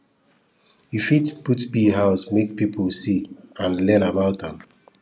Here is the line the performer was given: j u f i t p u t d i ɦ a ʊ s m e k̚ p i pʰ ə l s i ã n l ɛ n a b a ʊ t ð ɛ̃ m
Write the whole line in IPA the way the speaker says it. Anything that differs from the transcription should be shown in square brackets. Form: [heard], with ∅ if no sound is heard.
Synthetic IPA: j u f i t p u t [b] i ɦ a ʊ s m e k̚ p i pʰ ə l s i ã n l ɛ n a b a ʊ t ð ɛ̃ m